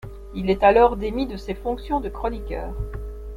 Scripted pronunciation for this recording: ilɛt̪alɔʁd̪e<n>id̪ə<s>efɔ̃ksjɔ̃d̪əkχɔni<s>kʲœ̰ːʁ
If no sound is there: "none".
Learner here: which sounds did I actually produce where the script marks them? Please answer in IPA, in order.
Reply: m, s, none

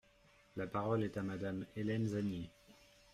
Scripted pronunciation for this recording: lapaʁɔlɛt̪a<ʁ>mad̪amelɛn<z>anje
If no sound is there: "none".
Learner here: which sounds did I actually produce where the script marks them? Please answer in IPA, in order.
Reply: none, z

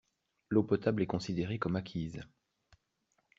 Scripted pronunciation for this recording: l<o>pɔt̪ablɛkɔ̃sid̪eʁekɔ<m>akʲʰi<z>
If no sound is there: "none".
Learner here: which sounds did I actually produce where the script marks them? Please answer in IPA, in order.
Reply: o, m, z

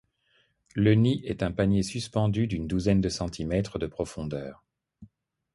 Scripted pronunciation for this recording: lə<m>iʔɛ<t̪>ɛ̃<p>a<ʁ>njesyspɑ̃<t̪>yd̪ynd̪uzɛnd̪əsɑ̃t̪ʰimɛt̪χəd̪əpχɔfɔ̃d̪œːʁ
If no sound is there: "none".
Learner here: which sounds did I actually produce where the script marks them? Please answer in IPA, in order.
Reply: n, t̪, p, none, d̪

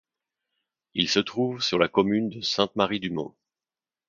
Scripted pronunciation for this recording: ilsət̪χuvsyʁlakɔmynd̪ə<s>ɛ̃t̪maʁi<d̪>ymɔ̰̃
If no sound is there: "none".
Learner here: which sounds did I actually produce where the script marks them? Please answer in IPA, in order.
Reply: s, d̪

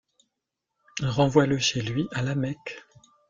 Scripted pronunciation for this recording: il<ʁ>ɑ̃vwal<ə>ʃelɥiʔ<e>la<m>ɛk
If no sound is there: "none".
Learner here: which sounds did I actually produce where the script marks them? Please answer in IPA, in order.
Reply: ʁ, ə, a, m

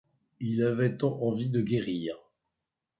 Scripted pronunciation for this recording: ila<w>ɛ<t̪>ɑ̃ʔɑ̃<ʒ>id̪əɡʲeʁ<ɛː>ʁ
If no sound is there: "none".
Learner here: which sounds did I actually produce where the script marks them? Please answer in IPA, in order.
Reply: v, t̪, v, iː

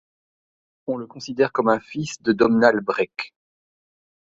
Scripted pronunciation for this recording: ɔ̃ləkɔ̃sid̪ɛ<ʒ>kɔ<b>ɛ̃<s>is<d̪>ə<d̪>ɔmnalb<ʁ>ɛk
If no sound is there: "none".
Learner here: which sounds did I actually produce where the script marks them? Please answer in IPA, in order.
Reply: ʁ, m, f, d̪, d̪, ʁ

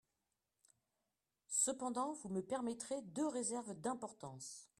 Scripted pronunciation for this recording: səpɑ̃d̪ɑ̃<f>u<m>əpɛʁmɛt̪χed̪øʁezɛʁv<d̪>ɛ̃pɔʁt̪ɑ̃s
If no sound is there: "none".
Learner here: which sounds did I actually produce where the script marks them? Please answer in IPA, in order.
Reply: v, m, d̪

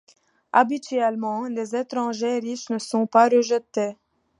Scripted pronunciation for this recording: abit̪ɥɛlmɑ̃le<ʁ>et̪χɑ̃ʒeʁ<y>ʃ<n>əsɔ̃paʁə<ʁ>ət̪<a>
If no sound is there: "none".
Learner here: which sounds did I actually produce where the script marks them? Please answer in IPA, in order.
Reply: z, i, n, ʒ, e

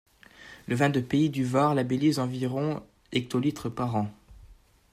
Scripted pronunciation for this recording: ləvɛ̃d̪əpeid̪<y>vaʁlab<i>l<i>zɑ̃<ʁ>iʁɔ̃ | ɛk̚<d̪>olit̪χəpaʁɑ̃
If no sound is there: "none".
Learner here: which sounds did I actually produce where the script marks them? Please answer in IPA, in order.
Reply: y, e, i, v, t̪

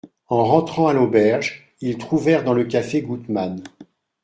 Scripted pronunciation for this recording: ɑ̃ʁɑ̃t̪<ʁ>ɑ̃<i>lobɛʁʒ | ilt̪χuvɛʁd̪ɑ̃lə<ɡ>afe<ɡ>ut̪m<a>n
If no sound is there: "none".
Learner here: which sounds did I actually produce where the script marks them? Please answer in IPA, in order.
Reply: χ, a, k, ɡ, a

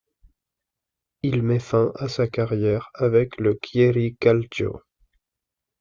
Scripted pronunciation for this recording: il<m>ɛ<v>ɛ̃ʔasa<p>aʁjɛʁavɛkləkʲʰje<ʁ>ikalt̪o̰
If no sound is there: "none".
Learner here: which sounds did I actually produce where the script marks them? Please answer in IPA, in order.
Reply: m, f, k, ʁ

